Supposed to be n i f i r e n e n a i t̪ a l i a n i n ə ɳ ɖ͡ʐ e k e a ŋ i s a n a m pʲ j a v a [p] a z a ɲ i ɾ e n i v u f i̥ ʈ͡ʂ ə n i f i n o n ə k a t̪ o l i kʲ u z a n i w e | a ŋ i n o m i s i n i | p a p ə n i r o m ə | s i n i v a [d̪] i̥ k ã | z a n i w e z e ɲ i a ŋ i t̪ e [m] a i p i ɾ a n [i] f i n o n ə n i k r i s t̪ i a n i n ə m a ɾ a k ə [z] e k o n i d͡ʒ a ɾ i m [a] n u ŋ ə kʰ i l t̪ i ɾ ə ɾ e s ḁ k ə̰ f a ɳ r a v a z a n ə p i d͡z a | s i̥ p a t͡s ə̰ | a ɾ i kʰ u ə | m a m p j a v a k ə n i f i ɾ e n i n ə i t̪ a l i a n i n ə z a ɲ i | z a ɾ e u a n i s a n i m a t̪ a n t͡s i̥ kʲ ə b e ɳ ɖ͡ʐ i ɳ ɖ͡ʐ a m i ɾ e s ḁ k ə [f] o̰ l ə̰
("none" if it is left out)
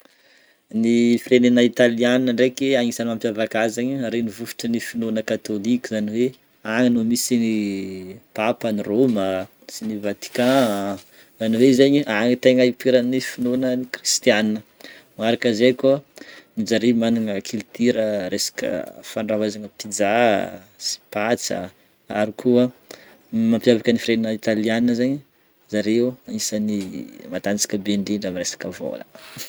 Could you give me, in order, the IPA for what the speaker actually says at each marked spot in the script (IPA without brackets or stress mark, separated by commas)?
k, t̪, ŋ, i, z, a, v